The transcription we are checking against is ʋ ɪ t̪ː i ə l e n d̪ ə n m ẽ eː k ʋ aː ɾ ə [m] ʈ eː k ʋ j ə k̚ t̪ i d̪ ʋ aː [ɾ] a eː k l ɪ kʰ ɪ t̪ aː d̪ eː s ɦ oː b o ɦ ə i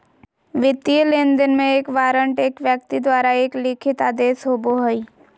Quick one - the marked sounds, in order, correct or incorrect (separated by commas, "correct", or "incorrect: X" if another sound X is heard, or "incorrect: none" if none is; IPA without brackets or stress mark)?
incorrect: ɳ, correct